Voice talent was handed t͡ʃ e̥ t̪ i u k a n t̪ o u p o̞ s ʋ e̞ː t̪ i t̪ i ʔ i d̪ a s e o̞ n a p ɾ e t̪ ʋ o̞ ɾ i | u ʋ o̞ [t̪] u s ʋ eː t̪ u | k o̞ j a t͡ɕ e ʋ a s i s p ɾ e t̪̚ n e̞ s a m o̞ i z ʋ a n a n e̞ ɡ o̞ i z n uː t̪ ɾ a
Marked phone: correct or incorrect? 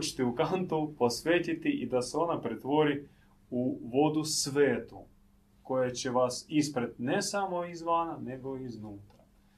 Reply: incorrect